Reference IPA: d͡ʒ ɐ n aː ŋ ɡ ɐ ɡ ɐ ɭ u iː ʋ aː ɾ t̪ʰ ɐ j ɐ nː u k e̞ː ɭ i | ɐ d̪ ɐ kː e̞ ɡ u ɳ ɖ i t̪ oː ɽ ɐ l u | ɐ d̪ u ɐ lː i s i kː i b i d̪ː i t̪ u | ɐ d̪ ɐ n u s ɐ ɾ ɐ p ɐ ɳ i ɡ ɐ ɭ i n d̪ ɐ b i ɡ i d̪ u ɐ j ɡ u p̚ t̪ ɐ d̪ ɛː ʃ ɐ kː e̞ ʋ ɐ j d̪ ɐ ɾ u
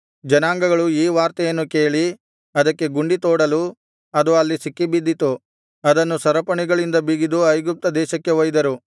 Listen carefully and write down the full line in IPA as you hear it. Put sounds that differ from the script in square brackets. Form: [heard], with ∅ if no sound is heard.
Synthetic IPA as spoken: d͡ʒ ɐ n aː ŋ ɡ ɐ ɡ ɐ ɭ u iː ʋ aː ɾ [t̪] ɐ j ɐ nː u k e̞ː ɭ i | ɐ d̪ ɐ kː e̞ ɡ u ɳ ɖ i t̪ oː ɽ ɐ l u | ɐ d̪ u ɐ lː i s i kː i b i d̪ː i t̪ u | ɐ d̪ ɐ [nː] u s ɐ ɾ ɐ p ɐ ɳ i ɡ ɐ ɭ i n d̪ ɐ b i ɡ i d̪ u ɐ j ɡ u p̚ t̪ ɐ d̪ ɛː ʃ ɐ kː e̞ ʋ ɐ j d̪ ɐ ɾ u

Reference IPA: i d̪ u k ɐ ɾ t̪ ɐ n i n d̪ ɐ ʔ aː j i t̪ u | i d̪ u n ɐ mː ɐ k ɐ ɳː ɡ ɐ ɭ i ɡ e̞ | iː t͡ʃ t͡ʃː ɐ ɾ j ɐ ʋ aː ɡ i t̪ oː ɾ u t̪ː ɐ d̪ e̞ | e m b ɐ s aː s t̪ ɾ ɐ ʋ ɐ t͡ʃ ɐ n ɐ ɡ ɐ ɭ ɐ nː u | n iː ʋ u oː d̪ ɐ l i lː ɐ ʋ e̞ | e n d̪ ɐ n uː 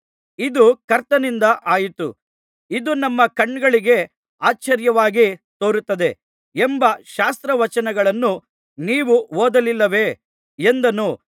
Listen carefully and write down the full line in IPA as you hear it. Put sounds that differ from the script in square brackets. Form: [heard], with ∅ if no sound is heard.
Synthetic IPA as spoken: i d̪ u k ɐ ɾ t̪ ɐ n i n d̪ ɐ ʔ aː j i t̪ u | i d̪ u n ɐ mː ɐ k ɐ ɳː ɡ ɐ ɭ i ɡ e̞ | [aː] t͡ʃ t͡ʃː ɐ ɾ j ɐ ʋ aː ɡ i t̪ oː ɾ u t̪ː ɐ d̪ e̞ | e m b ɐ [ʃ] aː s t̪ ɾ ɐ ʋ ɐ t͡ʃ ɐ n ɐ ɡ ɐ ɭ ɐ nː u | n iː ʋ u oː d̪ ɐ l i lː ɐ ʋ e̞ | e n d̪ ɐ n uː

